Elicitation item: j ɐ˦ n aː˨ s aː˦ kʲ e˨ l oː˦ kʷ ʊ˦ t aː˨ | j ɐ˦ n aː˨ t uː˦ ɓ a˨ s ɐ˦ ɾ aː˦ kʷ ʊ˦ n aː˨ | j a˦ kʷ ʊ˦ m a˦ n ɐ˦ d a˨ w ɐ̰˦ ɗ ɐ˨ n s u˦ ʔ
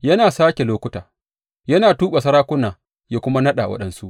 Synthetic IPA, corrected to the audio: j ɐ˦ n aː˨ s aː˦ kʲ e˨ l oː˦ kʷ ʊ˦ t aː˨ | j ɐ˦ n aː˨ t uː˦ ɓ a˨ s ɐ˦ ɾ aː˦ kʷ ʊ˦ n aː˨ | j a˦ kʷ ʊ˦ m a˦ n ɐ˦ ɗ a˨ w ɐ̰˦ ɗ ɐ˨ n s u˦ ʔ